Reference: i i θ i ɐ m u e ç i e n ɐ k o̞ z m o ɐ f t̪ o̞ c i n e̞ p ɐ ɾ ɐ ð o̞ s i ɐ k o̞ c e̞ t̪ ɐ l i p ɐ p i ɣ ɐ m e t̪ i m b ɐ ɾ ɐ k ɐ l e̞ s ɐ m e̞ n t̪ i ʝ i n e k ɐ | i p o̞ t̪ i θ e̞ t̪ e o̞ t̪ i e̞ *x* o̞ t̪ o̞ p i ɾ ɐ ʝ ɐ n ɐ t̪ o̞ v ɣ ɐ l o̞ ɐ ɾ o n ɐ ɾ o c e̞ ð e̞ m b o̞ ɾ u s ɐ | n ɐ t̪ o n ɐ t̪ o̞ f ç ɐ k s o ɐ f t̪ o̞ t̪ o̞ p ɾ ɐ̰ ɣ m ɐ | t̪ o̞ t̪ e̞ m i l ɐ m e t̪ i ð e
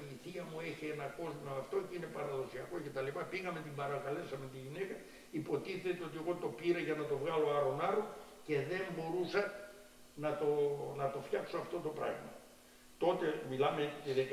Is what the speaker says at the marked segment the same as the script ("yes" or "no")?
no